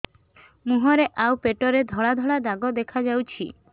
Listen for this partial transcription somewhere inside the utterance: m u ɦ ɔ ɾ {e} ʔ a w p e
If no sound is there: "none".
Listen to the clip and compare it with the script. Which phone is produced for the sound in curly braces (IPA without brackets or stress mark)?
e